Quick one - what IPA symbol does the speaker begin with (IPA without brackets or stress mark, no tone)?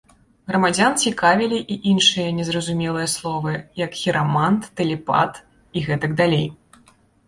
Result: ɣ